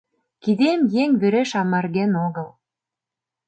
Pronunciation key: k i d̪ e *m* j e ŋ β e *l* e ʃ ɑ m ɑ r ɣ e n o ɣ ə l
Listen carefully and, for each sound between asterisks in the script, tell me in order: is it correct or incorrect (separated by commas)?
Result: correct, incorrect